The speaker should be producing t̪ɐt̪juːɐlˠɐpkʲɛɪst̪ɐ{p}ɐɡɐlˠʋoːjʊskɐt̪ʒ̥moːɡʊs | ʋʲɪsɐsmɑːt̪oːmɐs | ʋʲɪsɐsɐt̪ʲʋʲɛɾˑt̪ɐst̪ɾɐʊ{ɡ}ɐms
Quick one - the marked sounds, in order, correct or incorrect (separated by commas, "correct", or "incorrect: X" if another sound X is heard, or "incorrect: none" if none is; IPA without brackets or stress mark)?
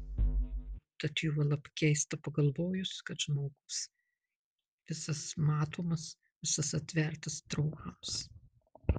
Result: correct, incorrect: k